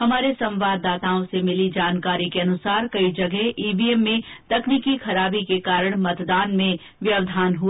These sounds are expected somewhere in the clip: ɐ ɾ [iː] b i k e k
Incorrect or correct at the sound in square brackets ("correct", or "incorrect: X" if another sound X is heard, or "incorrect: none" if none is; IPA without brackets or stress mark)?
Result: incorrect: aː